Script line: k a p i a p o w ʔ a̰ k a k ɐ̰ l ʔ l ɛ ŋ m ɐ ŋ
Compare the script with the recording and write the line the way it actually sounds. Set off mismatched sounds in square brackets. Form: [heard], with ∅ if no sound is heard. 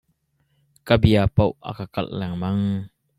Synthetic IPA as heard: k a [b] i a p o w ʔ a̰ k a k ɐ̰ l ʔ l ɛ ŋ m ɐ ŋ